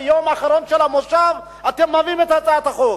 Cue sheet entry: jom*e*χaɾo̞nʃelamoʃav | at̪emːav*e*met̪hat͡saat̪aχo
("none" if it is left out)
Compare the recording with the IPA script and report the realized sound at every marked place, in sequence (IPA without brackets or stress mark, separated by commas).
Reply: a, i